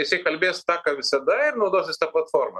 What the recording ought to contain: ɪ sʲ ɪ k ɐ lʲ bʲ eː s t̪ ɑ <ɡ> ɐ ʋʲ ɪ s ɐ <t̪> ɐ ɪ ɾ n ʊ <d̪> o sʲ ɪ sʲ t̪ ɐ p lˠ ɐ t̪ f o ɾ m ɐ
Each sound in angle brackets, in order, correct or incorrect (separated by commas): incorrect, incorrect, correct